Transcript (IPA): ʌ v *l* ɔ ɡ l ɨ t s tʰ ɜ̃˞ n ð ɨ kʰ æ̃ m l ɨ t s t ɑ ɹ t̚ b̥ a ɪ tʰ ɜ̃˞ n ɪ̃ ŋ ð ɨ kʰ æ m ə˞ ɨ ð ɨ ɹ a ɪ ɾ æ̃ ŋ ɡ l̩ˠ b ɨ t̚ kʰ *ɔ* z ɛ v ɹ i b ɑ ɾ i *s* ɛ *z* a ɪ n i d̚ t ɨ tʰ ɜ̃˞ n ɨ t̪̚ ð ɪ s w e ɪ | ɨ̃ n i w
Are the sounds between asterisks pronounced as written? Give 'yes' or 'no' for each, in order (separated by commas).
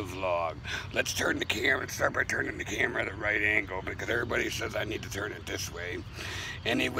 yes, no, yes, yes